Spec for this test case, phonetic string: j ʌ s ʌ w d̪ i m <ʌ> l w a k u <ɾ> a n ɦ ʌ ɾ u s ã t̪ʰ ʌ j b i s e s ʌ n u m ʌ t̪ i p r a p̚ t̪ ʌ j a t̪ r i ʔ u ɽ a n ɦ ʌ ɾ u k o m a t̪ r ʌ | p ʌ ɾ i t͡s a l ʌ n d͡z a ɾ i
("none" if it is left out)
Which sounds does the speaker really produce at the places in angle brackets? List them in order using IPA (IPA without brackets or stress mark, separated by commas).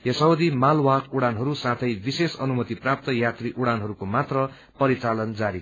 a, ɽ